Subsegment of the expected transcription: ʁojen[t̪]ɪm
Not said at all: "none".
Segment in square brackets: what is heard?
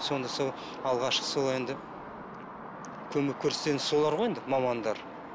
d̪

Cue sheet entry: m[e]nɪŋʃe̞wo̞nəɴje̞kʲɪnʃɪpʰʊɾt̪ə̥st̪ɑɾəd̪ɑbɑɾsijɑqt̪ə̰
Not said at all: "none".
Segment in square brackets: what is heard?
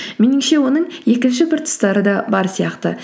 e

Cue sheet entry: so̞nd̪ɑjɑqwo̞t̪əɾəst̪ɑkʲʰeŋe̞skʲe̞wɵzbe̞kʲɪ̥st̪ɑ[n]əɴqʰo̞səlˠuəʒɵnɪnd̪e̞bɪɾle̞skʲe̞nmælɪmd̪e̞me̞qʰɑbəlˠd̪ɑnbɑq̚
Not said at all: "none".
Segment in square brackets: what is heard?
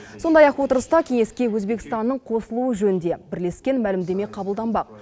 nː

